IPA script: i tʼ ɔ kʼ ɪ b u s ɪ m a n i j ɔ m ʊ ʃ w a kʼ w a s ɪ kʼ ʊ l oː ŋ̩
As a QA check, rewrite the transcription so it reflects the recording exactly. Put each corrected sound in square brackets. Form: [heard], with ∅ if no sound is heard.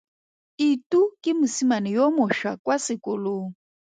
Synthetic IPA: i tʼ [u] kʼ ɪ [m] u s [i] m a n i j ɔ m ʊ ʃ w a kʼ w a s ɪ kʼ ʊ l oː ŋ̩

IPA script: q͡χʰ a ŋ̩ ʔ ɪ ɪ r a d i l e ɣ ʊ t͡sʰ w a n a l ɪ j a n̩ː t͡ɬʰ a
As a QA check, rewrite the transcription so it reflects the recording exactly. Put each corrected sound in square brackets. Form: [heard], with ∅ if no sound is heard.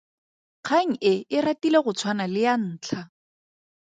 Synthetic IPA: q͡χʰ a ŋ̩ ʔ ɪ ɪ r a [t] i l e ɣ ʊ t͡sʰ w a n a l ɪ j a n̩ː t͡ɬʰ a

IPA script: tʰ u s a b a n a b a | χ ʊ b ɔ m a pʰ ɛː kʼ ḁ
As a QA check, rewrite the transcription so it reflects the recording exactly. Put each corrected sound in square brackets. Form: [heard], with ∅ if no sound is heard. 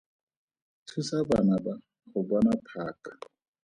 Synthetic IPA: tʰ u s a b a n a b a | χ ʊ b ɔ [n] a pʰ [aː] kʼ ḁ

